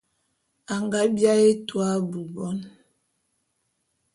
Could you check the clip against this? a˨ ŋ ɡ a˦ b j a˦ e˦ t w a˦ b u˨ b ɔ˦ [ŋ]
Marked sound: incorrect: n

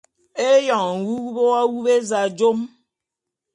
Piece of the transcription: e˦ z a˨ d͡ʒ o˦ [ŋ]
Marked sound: incorrect: m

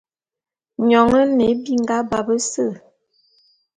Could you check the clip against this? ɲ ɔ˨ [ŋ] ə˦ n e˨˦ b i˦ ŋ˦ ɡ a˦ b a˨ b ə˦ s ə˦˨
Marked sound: correct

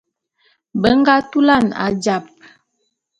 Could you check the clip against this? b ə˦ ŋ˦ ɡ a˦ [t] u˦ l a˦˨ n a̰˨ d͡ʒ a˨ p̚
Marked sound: correct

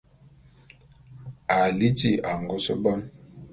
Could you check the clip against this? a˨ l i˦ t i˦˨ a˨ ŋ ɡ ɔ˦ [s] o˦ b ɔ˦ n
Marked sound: correct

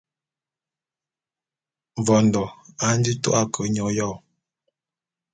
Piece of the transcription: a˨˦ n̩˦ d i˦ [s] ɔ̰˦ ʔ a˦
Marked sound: incorrect: t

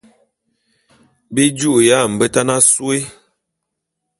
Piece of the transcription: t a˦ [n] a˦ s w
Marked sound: correct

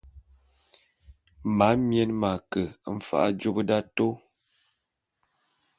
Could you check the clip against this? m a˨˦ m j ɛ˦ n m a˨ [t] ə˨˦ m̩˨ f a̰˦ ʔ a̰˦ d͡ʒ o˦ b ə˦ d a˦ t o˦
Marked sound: incorrect: k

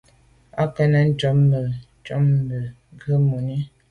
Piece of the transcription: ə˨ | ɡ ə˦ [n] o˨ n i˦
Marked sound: incorrect: m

